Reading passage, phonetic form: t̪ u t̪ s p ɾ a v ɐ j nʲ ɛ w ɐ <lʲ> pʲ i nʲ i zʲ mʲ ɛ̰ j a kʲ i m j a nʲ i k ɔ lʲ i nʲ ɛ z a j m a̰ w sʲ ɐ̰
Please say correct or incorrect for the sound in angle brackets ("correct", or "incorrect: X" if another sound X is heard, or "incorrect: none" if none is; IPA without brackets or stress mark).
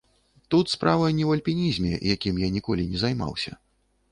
correct